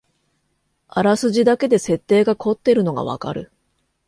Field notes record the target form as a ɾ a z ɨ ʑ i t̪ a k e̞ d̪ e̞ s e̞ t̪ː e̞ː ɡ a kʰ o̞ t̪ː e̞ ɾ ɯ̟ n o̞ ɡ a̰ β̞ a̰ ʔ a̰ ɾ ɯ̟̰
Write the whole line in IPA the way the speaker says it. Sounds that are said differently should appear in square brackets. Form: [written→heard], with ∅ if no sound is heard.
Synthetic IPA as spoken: a ɾ a [z→s] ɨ ʑ i [t̪→d̪] a k e̞ d̪ e̞ s e̞ t̪ː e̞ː ɡ a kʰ o̞ t̪ː e̞ ɾ ɯ̟ n o̞ ɡ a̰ β̞ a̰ [ʔ→k] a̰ ɾ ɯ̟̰